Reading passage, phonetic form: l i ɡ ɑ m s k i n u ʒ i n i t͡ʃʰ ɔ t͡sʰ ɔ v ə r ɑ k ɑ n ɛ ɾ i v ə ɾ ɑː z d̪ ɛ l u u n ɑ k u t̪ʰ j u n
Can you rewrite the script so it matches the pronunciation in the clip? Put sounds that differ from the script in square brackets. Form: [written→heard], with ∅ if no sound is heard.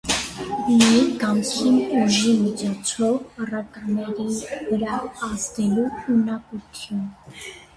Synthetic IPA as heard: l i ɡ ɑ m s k i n u ʒ i [n→m] i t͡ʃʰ ɔ t͡sʰ ɔ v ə r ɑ k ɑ n ɛ ɾ i v ə ɾ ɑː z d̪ ɛ l u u n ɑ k u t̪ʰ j u n